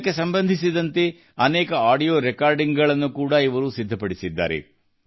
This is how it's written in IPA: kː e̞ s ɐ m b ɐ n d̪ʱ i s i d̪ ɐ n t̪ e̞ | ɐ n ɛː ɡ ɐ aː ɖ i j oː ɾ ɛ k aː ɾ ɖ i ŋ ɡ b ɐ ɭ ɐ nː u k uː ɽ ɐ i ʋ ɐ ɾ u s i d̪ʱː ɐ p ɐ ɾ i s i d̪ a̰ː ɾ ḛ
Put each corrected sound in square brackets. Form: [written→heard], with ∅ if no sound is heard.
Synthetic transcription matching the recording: kː e̞ s ɐ m b ɐ n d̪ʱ i s i d̪ ɐ n t̪ e̞ | ɐ n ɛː [ɡ→k] ɐ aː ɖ i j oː ɾ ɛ k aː ɾ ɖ i ŋ ɡ [b→ɡ] ɐ ɭ ɐ nː u k uː ɽ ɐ i ʋ ɐ ɾ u s i d̪ʱː ɐ p ɐ [ɾ→ɽ] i s i [d̪→d̪ː] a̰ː ɾ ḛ